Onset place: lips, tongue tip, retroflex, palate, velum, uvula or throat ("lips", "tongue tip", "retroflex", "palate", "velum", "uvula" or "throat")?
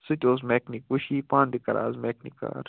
tongue tip